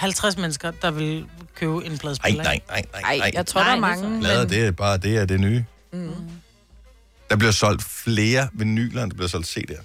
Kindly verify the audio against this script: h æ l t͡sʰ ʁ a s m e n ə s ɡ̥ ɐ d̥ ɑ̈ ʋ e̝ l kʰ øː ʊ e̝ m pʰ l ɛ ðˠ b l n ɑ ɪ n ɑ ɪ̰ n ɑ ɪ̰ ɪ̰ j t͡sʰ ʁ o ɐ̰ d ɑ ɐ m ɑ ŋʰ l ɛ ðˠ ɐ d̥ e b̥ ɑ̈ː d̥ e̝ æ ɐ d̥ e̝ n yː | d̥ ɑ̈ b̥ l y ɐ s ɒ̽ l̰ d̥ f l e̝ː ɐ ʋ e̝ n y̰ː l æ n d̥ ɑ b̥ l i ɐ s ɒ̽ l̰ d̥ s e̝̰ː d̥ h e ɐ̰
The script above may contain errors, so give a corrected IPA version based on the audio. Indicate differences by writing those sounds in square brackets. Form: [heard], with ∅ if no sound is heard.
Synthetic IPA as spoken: h æ l t͡sʰ ʁ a s m e n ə s ɡ̥ ɐ d̥ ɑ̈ ʋ e̝ l kʰ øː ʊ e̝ [n] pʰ l ɛ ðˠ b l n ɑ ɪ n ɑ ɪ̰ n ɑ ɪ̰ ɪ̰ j t͡sʰ ʁ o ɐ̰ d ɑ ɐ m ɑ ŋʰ l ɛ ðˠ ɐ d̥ e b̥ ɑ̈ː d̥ e̝ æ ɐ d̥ e̝ n yː | d̥ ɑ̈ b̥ l [i] ɐ s ɒ̽ l̰ d̥ f l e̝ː ɐ ʋ e̝ n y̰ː l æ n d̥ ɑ b̥ l i ɐ s ɒ̽ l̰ d̥ s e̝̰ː d̥ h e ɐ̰